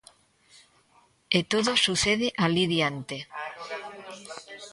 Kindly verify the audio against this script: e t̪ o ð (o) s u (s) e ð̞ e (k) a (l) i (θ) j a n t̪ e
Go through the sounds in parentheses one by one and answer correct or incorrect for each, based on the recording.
correct, incorrect: θ, incorrect: ʔ, correct, incorrect: ð

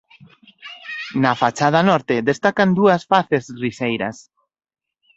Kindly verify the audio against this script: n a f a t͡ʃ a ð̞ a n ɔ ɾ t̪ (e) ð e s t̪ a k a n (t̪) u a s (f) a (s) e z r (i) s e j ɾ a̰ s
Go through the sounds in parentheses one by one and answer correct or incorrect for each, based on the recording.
correct, incorrect: d̪, correct, incorrect: θ, correct

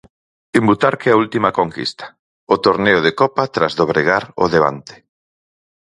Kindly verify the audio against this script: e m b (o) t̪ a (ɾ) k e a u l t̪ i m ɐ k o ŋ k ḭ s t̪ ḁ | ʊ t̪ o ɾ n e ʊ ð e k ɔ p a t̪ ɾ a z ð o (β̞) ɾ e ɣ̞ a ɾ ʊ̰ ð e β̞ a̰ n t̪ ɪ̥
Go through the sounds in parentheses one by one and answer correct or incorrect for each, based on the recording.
incorrect: u, correct, correct

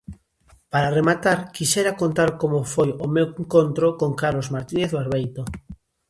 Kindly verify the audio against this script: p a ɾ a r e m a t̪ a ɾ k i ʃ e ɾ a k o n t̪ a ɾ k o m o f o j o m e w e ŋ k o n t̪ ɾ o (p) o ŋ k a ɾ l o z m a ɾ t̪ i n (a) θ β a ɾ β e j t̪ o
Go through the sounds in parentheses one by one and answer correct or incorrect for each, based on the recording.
incorrect: k, incorrect: e

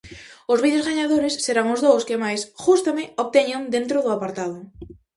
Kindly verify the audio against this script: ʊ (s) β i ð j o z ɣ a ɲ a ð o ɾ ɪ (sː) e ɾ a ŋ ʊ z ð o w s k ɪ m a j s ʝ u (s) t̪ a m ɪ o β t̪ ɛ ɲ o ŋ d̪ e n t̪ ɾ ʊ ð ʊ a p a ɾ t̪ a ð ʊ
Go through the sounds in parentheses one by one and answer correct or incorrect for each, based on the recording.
incorrect: z, correct, correct

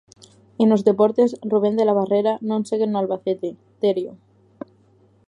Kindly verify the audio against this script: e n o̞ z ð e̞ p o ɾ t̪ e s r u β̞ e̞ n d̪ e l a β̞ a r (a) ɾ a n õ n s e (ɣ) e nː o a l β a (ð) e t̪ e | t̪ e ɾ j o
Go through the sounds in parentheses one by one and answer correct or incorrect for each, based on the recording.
incorrect: e, correct, incorrect: θ

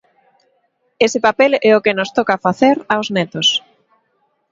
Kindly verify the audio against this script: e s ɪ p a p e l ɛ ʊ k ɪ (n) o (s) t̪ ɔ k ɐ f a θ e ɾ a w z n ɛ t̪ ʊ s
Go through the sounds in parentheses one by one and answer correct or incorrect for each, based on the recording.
correct, correct

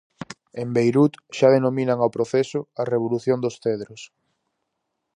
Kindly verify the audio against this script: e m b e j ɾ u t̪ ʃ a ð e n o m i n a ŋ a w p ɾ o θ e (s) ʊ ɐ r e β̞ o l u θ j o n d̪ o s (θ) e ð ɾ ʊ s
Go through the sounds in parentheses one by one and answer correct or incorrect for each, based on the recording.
correct, correct

